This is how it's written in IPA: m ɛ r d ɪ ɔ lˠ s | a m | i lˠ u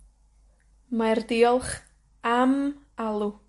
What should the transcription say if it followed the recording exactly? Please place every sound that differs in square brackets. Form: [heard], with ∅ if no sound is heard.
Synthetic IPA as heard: m [a] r d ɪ ɔ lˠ [χ] | a m | [a] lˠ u